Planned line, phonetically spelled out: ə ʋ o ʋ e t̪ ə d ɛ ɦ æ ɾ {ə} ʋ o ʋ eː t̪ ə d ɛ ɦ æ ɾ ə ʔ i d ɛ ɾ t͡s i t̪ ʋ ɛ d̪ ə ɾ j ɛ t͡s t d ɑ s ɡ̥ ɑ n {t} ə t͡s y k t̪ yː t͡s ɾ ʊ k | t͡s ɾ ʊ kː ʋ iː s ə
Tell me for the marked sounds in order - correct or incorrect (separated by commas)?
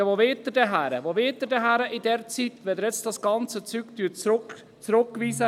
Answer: correct, incorrect